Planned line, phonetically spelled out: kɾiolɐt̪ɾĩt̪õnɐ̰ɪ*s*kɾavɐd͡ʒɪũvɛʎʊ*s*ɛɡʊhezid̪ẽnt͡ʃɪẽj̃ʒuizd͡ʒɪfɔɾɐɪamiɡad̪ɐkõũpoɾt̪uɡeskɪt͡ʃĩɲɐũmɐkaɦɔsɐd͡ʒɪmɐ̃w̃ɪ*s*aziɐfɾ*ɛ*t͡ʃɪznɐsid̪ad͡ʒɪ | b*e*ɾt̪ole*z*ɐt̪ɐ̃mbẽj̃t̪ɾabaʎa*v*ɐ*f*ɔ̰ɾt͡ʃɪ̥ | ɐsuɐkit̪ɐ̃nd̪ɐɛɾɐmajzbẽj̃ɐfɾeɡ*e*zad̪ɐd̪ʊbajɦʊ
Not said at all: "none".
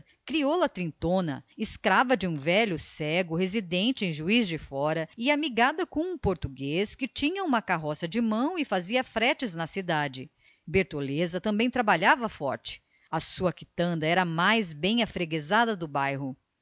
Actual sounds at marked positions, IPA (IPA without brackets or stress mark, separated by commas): s, s, f, ɛ, e, z, v, f, e